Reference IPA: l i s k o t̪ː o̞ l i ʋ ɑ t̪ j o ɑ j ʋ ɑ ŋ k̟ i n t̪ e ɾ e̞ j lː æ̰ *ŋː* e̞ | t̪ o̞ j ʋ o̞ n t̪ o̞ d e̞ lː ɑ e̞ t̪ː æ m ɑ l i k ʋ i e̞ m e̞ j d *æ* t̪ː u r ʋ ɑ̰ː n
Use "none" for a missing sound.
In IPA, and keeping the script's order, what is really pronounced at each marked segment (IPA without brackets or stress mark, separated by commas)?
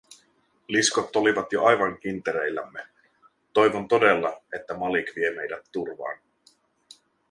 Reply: mː, æ